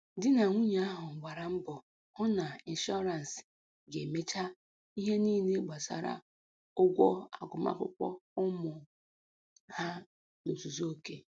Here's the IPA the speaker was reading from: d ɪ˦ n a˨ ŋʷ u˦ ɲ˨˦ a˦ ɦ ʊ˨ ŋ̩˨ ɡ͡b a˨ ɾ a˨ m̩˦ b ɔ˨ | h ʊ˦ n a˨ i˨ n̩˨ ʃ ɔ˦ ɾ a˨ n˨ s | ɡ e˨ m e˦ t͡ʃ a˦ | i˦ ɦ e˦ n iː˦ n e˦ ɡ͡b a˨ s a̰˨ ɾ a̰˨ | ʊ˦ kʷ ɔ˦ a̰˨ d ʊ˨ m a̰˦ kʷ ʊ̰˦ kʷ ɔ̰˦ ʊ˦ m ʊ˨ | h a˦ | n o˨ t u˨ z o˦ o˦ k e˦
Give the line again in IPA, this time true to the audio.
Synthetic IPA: d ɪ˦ n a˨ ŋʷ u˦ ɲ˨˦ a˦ ɦ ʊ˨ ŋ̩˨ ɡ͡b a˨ ɾ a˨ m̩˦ b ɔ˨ | h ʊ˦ n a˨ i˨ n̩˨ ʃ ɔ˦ ɾ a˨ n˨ s | ɡ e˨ m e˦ t͡ʃ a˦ | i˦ ɦ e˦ n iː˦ n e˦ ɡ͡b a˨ s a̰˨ ɾ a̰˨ | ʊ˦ ɡʷ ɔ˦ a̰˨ ɡ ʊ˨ m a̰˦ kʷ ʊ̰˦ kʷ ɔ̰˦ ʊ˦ m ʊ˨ | h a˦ | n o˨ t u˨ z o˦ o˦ k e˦